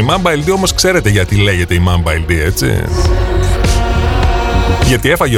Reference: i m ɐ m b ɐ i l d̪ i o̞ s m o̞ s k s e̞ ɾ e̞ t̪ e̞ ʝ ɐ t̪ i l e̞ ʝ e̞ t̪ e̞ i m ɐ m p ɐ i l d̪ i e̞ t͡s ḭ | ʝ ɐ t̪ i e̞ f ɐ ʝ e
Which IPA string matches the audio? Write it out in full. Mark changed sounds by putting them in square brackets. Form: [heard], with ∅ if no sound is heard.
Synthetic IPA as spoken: i m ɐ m b ɐ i l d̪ i o̞ [∅] m o̞ s k s e̞ ɾ e̞ t̪ e̞ ʝ ɐ t̪ i l e̞ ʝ e̞ t̪ e̞ i m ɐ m [b] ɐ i l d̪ i e̞ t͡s ḭ | ʝ ɐ t̪ i e̞ f ɐ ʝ e